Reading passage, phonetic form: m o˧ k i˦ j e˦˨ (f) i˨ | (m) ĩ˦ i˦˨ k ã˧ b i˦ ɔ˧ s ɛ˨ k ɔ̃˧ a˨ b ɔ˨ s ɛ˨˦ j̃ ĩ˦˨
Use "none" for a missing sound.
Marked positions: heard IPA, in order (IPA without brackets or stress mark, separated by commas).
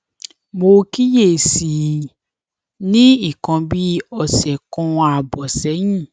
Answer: s, n